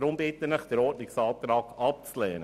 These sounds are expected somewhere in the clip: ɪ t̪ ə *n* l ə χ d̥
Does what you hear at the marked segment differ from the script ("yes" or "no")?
no